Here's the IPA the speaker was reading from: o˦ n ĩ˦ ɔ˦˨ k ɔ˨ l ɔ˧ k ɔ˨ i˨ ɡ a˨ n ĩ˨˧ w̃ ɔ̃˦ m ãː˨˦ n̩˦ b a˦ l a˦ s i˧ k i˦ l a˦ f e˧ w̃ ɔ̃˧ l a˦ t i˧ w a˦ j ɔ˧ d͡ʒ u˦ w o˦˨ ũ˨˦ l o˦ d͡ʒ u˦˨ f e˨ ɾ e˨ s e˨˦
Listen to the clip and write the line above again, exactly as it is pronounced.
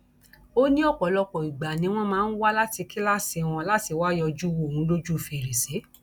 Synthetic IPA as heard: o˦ n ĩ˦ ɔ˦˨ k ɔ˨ l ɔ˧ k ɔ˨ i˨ ɡ͡b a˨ n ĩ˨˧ w̃ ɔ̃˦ m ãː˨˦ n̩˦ w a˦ l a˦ t i˧ k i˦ l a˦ s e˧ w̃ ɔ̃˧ l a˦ t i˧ w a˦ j ɔ˧ d͡ʒ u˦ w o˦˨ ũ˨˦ l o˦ d͡ʒ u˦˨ f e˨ ɾ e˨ s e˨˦